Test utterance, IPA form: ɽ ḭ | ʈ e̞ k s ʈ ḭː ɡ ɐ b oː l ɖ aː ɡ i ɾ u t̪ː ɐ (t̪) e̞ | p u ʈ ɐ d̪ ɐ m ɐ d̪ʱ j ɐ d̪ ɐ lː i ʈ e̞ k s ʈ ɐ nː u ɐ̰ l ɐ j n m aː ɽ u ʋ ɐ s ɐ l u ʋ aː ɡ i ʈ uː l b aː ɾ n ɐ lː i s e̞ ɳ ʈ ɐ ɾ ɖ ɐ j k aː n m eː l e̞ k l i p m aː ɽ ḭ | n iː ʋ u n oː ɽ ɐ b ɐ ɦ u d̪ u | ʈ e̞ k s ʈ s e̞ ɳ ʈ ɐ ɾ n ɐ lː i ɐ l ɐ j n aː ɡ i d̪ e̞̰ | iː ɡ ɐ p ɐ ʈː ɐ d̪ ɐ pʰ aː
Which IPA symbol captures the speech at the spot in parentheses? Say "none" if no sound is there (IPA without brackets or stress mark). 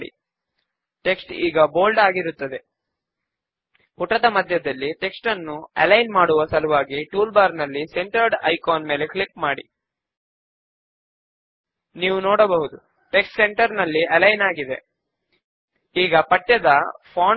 d̪